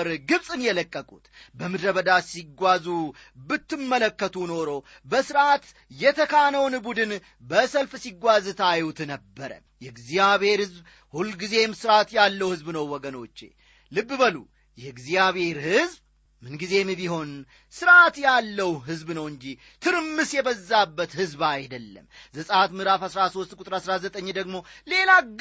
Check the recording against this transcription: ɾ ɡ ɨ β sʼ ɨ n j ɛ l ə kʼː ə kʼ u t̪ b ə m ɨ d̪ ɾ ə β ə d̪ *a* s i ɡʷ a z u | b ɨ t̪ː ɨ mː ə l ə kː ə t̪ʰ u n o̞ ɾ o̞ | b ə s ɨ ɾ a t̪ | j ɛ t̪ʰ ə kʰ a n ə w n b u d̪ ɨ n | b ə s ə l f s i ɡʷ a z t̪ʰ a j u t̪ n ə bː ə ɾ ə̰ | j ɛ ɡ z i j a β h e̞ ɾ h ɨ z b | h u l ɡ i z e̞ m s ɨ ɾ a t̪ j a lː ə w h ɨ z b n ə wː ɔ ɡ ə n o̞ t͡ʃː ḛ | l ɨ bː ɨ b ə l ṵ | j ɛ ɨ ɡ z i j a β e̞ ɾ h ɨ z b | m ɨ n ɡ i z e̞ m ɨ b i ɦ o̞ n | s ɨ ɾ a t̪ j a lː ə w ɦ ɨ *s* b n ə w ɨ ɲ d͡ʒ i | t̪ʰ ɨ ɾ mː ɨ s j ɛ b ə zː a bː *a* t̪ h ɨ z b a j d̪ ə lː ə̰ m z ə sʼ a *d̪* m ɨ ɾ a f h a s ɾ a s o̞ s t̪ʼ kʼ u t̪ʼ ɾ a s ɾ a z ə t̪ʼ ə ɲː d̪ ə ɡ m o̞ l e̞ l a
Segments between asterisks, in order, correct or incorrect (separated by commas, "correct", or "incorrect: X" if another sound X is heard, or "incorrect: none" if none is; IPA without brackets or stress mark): correct, incorrect: z, incorrect: ə, incorrect: t̪